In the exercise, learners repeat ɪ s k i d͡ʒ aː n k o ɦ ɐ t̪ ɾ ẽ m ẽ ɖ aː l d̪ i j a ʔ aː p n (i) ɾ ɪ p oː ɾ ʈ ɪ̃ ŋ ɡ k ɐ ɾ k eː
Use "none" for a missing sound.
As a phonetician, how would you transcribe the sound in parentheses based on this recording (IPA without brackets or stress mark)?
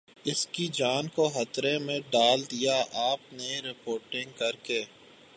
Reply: e